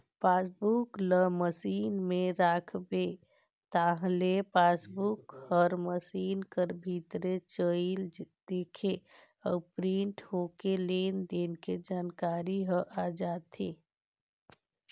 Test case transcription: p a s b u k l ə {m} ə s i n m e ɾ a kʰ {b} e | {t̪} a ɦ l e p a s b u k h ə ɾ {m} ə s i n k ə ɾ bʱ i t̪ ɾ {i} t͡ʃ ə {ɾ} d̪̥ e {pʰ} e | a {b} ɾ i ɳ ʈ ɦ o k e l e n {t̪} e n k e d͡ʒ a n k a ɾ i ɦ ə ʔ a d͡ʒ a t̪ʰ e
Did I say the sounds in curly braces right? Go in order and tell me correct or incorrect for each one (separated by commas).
correct, correct, correct, correct, incorrect, incorrect, incorrect, incorrect, incorrect